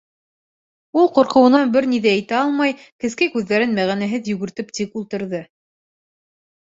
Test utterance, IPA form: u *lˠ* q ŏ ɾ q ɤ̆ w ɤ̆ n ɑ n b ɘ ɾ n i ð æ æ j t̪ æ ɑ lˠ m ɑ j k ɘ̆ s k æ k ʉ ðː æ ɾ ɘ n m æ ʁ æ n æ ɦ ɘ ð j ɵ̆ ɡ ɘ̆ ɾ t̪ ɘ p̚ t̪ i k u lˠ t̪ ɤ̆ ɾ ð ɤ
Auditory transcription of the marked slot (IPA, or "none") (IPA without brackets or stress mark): lˠ